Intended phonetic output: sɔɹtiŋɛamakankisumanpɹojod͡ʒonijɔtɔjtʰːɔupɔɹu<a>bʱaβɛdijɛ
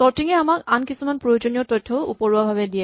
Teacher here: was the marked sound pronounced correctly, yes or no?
yes